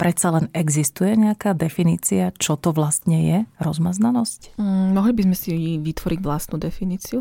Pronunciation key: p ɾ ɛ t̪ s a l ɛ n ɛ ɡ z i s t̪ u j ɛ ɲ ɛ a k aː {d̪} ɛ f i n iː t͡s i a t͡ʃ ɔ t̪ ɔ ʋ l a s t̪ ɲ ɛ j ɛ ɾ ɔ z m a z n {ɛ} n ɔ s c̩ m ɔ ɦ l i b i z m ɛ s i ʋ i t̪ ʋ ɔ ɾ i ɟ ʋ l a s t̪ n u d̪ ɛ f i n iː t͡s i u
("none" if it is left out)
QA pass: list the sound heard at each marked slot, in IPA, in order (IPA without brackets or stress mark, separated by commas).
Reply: d̪, a